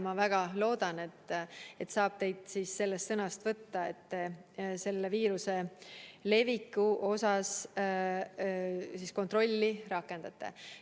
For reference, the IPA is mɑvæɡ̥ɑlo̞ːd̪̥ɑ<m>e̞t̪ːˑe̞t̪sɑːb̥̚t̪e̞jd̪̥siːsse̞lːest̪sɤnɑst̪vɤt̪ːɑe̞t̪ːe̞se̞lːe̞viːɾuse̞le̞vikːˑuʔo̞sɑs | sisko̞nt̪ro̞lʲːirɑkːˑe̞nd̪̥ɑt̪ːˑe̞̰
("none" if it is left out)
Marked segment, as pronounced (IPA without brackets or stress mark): n